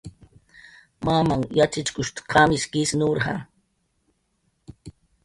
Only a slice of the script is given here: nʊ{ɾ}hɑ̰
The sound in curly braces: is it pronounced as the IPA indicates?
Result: yes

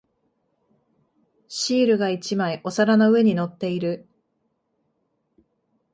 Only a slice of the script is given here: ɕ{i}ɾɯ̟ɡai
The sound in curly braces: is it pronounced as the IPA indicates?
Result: no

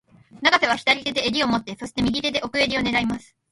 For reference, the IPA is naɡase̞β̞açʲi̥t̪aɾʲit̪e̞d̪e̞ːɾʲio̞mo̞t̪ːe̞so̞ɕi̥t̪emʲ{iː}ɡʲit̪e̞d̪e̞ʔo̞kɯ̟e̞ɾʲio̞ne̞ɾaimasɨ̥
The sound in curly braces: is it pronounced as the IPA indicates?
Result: no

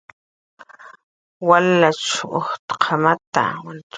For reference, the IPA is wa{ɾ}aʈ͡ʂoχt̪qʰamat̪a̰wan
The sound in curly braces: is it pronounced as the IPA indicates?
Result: no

